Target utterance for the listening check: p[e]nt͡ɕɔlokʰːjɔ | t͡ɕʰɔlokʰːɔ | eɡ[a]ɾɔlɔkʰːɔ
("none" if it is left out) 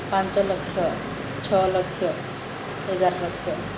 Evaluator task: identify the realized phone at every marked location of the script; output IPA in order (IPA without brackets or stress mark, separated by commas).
a, a